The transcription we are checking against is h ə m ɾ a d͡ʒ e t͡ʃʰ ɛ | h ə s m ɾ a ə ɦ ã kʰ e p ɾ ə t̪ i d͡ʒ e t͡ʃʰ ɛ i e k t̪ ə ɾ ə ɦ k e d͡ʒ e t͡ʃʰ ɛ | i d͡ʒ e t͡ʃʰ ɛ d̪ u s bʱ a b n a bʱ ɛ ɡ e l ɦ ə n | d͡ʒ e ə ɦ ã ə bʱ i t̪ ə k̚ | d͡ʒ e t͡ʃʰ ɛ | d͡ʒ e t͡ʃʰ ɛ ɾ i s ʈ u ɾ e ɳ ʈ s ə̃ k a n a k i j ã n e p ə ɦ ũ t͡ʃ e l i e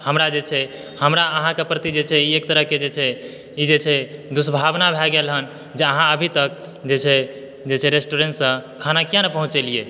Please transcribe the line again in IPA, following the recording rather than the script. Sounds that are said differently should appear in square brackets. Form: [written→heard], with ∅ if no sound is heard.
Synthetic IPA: h ə m ɾ a d͡ʒ e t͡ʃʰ ɛ | h ə [s→∅] m ɾ a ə ɦ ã [kʰ→k] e p ɾ ə t̪ i d͡ʒ e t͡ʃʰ ɛ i e k t̪ ə ɾ ə ɦ k e d͡ʒ e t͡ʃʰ ɛ | i d͡ʒ e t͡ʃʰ ɛ d̪ u s bʱ a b n a bʱ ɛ ɡ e l ɦ ə n | d͡ʒ e ə ɦ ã ə bʱ i t̪ ə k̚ | d͡ʒ e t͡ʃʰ ɛ | d͡ʒ e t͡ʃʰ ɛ ɾ [i→e] s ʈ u ɾ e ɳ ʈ s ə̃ [k→kʰ] a n a k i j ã n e p ə ɦ ũ t͡ʃ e l i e